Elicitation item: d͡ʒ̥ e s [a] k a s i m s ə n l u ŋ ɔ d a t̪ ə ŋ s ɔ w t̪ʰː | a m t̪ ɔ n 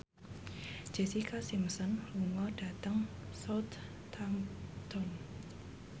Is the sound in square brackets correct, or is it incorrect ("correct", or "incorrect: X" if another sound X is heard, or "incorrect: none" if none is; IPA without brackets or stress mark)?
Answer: incorrect: i